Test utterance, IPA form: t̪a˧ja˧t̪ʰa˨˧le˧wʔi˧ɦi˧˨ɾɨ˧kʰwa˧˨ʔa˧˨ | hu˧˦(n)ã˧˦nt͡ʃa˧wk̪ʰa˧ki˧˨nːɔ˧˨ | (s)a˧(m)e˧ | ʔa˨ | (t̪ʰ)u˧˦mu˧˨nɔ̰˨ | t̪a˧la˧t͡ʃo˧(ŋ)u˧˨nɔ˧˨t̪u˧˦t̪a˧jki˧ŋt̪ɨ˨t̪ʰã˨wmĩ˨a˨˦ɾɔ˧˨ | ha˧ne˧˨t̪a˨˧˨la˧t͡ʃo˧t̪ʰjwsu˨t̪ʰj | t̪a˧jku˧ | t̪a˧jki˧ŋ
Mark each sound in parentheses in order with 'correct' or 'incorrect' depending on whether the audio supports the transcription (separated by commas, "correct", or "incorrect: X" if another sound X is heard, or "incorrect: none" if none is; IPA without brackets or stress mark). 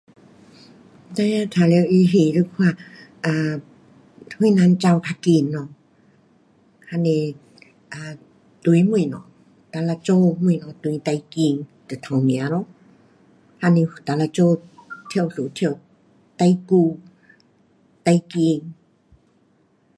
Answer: correct, incorrect: h, incorrect: n, incorrect: t̪, incorrect: m